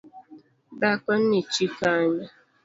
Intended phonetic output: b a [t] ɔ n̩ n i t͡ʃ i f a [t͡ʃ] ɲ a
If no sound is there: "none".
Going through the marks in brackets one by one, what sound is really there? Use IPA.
k, none

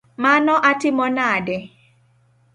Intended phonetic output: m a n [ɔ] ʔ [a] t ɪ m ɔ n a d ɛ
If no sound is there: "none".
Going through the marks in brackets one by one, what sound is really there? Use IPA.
ɔ, a

